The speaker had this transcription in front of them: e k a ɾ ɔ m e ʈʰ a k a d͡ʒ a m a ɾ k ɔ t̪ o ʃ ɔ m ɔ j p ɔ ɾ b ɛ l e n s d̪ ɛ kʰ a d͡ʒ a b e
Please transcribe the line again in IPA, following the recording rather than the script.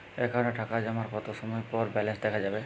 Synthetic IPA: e k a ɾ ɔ n e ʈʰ a k a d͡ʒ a m a ɾ k ɔ t̪ o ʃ ɔ m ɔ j p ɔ ɾ b ɛ l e n s d̪ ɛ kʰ a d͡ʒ a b e

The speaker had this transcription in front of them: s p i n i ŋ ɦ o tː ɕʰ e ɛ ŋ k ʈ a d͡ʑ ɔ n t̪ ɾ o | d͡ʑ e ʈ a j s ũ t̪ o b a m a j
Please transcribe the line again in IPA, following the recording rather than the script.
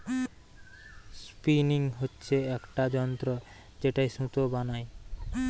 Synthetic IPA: s p i n i ŋ ɦ o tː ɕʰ e ɛ k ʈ a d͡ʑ ɔ n t̪ ɾ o | d͡ʑ e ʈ a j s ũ t̪ o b a n a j

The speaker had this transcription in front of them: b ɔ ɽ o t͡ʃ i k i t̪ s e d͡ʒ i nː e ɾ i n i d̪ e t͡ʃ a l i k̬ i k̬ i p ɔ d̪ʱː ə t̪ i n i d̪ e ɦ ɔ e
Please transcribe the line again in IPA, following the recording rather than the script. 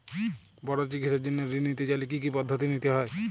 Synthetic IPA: b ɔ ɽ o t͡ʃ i k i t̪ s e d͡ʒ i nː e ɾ i n i t̪ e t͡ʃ a l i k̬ i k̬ i p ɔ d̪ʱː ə t̪ i n i t̪ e ɦ ɔ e

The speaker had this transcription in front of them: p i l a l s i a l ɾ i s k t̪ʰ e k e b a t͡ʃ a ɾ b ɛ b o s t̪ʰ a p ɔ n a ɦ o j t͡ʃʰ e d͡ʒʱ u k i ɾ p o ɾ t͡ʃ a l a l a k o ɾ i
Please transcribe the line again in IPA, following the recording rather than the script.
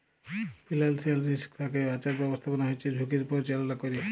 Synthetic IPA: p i l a l s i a l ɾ i s k t̪ʰ a k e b a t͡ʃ a ɾ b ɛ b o s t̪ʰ a p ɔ n a ɦ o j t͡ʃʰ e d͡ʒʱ u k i ɾ p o ɾ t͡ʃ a l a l a k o ɾ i

